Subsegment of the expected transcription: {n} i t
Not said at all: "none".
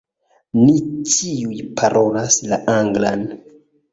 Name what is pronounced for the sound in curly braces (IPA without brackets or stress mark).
n